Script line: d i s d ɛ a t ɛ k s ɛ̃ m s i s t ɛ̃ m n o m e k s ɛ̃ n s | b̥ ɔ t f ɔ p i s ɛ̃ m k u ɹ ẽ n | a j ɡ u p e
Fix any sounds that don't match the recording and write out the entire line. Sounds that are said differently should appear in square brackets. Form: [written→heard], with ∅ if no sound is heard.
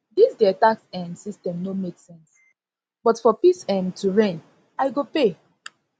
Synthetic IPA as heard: d i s d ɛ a t [ɛ→a] k s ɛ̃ [m→n] s i s t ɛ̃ m n o m e k s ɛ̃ n s | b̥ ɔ t f ɔ p i s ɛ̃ m [k→t] u ɹ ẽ n | a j ɡ [u→o] p e